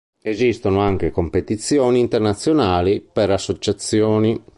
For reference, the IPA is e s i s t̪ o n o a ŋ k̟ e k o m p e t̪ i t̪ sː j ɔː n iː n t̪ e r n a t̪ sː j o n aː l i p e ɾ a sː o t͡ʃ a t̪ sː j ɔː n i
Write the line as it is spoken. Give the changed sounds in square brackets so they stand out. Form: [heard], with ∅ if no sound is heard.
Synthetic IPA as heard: e [z] i s t̪ o n o a ŋ k̟ e k o m p e t̪ i t̪ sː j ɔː n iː n t̪ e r n a t̪ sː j o n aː l i p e ɾ a sː o t͡ʃ a t̪ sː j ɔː n i